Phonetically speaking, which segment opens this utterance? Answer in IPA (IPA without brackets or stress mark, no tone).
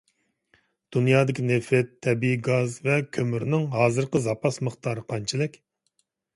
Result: d̪̥